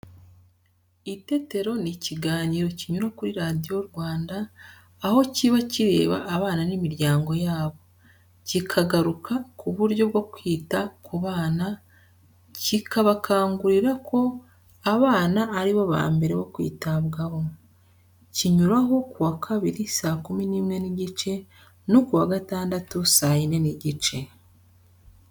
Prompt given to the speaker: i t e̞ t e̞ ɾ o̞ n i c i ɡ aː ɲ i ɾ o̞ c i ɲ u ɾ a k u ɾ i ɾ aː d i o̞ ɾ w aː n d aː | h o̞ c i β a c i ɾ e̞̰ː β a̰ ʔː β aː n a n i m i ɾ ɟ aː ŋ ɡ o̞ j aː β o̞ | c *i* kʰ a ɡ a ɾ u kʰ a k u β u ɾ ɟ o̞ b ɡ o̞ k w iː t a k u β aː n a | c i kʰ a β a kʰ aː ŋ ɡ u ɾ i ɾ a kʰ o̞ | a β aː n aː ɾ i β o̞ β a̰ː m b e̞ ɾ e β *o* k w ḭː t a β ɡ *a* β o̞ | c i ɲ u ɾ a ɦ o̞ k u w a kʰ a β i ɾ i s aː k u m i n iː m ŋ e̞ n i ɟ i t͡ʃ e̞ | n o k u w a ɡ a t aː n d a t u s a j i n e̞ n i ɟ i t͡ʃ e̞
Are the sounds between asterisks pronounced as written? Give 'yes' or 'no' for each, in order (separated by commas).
yes, yes, yes